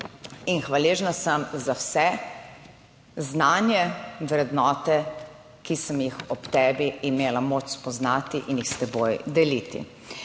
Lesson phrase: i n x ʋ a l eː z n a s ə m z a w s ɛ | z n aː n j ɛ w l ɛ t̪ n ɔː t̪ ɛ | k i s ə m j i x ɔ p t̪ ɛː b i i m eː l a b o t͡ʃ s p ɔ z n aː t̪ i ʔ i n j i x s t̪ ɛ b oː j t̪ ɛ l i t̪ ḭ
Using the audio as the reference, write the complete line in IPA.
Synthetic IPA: i n x ʋ a l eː ʒ n a s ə m z a w s ɛ | z n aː n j ɛ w ɾ ɛ d̪ n ɔː t̪ ɛ | k i s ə m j i x ɔ p t̪ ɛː b i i m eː l a m o t͡ʃ s p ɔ z n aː t̪ i ʔ i n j i x s t̪ ɛ b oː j d̪ ɛ l i t̪ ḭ